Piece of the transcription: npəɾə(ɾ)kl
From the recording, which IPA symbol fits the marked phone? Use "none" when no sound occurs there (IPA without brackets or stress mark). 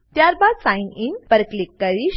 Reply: none